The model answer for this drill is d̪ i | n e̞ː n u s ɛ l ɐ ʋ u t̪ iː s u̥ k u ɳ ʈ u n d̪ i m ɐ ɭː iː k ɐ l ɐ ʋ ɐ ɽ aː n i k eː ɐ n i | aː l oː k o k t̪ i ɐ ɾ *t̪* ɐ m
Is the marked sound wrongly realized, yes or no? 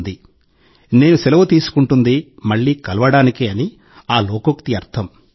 yes